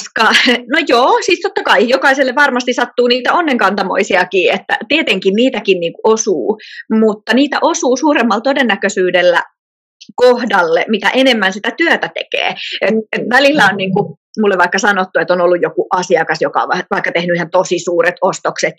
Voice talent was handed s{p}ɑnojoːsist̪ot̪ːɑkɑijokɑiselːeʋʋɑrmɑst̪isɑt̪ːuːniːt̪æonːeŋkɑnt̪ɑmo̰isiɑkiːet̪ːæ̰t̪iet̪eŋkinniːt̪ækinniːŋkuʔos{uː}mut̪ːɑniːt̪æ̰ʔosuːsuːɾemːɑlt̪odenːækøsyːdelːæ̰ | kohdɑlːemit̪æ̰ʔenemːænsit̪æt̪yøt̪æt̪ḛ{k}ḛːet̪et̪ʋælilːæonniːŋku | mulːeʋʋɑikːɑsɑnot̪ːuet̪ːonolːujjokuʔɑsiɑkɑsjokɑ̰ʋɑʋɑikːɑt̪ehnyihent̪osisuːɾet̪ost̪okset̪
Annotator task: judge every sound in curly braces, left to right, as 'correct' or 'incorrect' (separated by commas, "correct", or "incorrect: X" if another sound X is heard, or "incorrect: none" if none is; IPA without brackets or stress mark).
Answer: incorrect: k, correct, correct